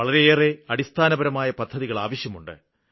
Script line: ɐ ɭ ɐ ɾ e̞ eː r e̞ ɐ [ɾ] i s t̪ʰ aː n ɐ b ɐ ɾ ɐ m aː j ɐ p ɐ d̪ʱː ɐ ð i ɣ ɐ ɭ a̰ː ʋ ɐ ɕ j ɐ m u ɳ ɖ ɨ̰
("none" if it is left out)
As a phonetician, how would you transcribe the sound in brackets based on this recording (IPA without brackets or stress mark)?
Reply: ɽ